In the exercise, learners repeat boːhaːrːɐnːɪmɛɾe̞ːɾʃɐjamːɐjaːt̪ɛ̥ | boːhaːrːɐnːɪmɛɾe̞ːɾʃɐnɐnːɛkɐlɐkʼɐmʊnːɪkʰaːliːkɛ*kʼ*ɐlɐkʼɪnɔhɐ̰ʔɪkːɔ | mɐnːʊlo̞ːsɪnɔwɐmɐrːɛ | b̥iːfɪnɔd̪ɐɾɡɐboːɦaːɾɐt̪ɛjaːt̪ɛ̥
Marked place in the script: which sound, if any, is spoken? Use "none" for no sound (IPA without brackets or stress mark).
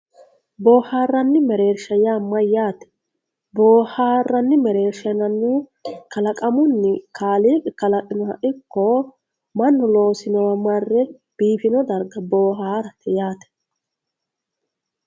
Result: k